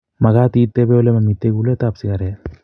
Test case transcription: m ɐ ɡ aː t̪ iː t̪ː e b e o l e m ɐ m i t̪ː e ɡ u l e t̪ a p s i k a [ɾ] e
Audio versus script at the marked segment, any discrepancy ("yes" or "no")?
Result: no